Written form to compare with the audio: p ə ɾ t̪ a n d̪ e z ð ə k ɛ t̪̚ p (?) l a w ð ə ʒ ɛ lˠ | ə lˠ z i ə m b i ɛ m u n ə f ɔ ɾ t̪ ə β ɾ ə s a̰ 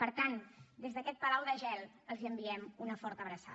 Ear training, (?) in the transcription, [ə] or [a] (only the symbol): ə